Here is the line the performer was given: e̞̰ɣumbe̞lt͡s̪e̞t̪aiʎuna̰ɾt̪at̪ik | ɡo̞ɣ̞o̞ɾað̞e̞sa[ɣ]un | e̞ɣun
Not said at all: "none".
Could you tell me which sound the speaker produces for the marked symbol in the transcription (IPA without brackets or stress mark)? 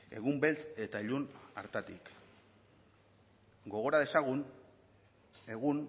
ɣ